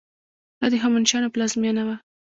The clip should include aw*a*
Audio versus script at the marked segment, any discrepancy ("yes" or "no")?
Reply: no